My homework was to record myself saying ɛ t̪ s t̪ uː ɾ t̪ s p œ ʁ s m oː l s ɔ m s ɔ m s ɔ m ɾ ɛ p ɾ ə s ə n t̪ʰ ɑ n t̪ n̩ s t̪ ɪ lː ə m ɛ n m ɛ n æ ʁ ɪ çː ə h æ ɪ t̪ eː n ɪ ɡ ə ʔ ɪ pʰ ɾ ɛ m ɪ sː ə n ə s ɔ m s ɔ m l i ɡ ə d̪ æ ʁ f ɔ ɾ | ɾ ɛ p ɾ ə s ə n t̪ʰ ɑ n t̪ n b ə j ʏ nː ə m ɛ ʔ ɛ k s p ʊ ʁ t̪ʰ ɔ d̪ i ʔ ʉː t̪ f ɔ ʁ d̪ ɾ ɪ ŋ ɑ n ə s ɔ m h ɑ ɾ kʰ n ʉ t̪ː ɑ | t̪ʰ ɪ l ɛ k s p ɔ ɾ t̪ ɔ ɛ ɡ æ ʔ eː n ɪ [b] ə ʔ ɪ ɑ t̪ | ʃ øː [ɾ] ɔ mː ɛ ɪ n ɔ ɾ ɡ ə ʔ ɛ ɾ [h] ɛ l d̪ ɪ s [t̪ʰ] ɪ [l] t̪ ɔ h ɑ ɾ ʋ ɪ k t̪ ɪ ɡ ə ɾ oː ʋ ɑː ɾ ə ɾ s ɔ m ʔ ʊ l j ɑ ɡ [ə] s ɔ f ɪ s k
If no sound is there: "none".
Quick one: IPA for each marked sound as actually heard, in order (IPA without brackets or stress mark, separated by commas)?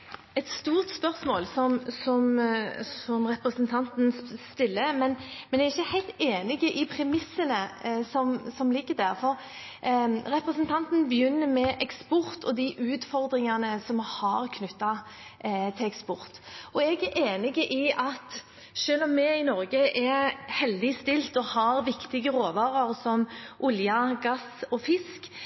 ɡ, l, h, t̪, l, ɑ